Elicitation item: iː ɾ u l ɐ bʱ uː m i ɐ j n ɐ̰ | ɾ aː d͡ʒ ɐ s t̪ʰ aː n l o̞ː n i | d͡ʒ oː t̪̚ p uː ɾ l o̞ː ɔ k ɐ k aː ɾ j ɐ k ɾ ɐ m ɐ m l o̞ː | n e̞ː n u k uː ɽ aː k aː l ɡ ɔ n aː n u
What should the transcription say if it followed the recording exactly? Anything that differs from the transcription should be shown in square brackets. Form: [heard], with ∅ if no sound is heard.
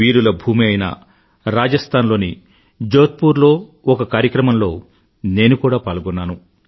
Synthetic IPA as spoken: iː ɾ u l ɐ bʱ uː m i ɐ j n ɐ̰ | ɾ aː d͡ʒ ɐ s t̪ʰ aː n l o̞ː n i | d͡ʒ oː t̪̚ p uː ɾ l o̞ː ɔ k ɐ k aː ɾ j ɐ k ɾ ɐ m ɐ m l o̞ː | n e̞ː n u k uː ɽ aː [p] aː l ɡ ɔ [nː] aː n u